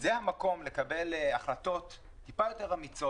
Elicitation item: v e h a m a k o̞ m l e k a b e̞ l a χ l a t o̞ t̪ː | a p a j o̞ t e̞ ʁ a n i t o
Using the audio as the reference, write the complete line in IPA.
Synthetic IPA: z e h a m a k o̞ m l e k a b e̞ l a χ l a t o̞ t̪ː | i p a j o̞ t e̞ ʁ a m i t͡s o